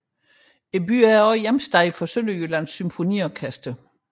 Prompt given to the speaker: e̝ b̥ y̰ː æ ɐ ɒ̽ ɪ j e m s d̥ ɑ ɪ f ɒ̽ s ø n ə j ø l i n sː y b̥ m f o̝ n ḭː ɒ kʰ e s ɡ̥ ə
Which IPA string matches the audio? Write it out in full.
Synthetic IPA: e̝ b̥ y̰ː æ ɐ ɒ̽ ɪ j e m s d̥ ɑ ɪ f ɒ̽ s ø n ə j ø l æ n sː y m f o̝ n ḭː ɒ kʰ æ s d̥ ə

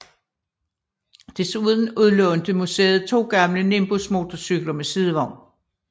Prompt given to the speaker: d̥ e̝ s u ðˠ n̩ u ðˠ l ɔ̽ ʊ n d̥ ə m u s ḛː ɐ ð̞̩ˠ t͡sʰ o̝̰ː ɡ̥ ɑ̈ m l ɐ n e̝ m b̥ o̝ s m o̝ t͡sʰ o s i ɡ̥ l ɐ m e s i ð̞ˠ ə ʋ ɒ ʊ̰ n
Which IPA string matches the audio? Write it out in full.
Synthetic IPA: d̥ e̝ s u ðˠ n̩ u ðˠ l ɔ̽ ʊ n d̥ ə m u s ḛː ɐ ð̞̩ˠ t͡sʰ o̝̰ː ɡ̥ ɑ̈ m l ə n e̝ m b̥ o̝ s m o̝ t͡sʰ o s y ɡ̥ l ɐ m e s i ð̞ˠ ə ʋ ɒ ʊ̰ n

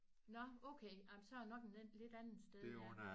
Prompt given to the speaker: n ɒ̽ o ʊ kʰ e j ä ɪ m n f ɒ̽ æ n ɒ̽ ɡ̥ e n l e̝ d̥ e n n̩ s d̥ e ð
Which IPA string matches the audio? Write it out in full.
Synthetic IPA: n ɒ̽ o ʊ kʰ e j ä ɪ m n s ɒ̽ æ n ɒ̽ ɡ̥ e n l e̝ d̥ æ n n̩ s d̥ e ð

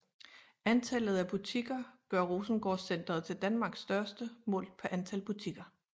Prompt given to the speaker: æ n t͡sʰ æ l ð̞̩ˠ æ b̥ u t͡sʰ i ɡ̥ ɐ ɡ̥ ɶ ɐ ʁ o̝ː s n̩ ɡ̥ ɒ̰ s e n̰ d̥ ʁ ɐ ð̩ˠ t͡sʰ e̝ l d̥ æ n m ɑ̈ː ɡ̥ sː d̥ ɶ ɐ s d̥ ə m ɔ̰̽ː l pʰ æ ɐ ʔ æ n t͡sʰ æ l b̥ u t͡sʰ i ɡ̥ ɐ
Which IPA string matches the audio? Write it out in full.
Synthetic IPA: æ n t͡sʰ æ l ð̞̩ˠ æ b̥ u t͡sʰ i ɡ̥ ɐ ɡ̥ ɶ ɐ ʁ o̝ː s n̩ ɡ̥ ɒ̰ s e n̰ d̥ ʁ ɐ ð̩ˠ t͡sʰ e̝ l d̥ æ n m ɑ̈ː ɡ̥ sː d̥ ɶ ɐ s d̥ ə m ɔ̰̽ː l pʰ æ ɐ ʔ æ n t͡sʰ æ l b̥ u t͡sʰ i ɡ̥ ɐ

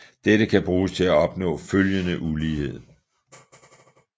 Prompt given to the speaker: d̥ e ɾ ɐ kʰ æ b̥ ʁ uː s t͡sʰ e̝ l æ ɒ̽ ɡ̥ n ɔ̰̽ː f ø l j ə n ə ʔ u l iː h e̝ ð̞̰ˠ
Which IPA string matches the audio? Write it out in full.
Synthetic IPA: d̥ e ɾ ə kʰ æ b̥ ʁ uː s t͡sʰ e̝ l æ ɒ̽ b̥ n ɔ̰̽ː f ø l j ə n ə ʔ u l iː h e̝ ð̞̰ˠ

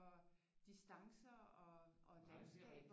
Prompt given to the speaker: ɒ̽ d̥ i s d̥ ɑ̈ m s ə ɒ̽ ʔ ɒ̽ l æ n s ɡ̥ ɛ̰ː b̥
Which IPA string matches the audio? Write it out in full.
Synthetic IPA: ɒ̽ d̥ i s d̥ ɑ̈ ŋ s ɐ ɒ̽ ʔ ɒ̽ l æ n s ɡ̥ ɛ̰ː b̥

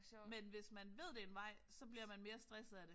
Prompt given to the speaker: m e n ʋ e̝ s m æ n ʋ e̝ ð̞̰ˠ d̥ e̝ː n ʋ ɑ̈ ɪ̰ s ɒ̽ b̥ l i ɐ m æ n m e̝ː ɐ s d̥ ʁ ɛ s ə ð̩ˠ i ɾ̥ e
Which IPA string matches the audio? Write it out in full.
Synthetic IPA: m e n ʋ e̝ s m æ n ʋ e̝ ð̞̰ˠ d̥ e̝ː n ʋ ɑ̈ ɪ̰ s ɒ̽ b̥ l i ɐ m æ n m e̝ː ɐ s d̥ ʁ ɛ s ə ð̩ˠ æ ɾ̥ e

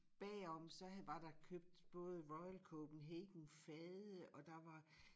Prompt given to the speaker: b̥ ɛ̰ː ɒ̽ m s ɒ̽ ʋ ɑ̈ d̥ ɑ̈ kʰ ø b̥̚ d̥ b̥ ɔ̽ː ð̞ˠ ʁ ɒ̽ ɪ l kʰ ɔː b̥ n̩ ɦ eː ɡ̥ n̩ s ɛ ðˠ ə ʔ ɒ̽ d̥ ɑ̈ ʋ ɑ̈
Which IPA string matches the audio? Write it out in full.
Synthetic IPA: b̥ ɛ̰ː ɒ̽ m s ɒ̽ ʋ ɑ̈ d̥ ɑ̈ kʰ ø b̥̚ d̥ b̥ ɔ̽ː ð̞ˠ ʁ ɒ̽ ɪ l kʰ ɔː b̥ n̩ ɦ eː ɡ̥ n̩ f ɛ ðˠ ə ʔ ɒ̽ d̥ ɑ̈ ʋ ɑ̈

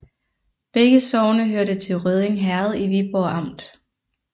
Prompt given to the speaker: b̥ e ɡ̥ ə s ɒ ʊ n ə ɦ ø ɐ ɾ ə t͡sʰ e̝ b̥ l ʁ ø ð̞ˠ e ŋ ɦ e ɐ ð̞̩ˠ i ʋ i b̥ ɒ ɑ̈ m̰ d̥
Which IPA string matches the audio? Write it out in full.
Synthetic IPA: b̥ e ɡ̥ ə s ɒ ʊ n ə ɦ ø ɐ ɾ ə t͡sʰ e̝ l ʁ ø ð̞ˠ e ŋ ɦ æ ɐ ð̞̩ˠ i ʋ i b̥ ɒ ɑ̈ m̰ d̥

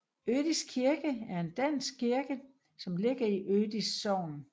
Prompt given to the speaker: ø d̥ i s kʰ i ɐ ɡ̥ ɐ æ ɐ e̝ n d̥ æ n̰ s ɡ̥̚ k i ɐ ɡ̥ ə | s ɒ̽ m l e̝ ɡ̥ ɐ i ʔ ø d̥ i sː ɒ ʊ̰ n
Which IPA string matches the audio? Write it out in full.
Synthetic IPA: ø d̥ i s kʰ i ɐ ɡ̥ ə æ ɐ e̝ n d̥ æ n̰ s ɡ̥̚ k i ɐ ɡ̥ ə | s ɒ̽ m l e̝ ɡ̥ ɐ i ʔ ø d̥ i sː ɒ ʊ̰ n

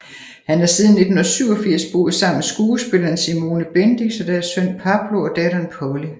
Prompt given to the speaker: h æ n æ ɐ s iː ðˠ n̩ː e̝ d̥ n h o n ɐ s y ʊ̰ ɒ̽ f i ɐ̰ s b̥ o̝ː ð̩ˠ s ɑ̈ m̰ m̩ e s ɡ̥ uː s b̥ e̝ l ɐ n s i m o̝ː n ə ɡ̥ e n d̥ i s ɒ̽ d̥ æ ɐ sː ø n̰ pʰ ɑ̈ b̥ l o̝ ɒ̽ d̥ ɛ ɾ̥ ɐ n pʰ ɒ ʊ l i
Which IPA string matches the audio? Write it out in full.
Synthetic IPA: h æ n æ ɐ s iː ðˠ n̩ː e̝ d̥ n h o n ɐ s y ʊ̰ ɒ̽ f i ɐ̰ s b̥ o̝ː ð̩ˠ s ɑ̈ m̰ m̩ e s ɡ̥ uː s b̥ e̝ l ɐ n s i m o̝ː n ə b̥ e n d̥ i s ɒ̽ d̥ æ ɐ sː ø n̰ pʰ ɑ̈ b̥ l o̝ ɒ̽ d̥ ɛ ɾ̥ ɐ n pʰ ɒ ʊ l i

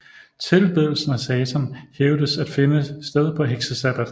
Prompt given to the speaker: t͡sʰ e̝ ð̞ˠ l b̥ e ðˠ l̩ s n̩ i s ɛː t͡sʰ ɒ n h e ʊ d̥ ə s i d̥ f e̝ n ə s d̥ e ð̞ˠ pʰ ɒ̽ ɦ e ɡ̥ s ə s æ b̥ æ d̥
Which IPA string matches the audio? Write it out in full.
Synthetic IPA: t͡sʰ e̝ l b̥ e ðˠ l̩ s n̩ æ s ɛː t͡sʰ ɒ n h e ʊ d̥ ə s æ d̥ f e̝ n ə s d̥ e ð̞ˠ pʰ ɒ̽ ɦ e ɡ̥ s ə s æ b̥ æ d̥

